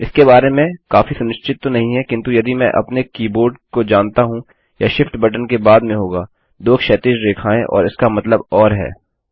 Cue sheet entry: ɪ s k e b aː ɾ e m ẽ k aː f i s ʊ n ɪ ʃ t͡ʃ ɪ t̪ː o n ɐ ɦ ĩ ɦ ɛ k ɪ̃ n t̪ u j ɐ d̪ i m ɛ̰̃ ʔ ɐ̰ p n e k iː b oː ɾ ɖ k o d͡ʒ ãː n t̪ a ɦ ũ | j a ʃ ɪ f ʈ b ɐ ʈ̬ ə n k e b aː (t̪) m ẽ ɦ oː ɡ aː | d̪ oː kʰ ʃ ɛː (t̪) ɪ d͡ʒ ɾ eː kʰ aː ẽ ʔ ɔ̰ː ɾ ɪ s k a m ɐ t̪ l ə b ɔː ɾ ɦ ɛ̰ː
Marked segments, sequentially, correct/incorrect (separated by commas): incorrect, correct